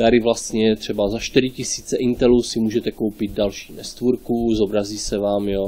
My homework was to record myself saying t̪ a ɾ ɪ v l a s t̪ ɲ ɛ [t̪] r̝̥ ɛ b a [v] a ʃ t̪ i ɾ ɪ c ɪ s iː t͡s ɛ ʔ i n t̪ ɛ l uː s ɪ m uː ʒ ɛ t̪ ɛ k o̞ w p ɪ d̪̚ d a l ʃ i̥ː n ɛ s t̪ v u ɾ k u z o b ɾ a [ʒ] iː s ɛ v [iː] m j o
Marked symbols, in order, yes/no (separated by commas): yes, no, no, no